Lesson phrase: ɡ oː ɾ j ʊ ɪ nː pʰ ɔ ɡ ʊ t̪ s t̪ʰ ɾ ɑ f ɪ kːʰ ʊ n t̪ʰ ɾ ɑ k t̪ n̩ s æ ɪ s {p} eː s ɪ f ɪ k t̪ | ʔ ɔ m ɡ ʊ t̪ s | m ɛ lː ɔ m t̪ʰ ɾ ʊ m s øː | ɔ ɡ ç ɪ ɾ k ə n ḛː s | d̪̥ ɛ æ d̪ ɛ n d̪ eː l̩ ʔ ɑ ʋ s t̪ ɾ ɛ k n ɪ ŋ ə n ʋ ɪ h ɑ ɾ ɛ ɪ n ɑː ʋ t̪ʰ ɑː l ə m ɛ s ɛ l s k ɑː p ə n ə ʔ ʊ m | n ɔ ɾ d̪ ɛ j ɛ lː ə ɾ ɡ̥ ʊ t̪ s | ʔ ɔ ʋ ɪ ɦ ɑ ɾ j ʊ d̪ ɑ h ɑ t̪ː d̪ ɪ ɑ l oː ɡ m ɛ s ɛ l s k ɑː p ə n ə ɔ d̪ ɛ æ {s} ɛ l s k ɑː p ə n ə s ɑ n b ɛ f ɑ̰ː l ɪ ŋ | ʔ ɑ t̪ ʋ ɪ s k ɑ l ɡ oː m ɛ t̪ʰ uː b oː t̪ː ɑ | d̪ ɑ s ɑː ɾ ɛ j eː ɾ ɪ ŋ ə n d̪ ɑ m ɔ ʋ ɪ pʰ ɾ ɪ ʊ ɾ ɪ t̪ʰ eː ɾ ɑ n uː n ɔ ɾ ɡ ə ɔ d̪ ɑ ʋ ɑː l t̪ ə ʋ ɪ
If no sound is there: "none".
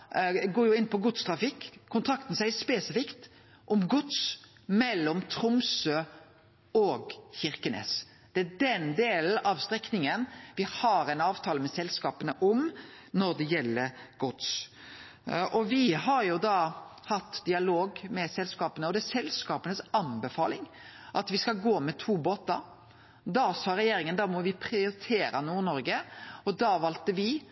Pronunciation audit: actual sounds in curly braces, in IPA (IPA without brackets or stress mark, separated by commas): p, s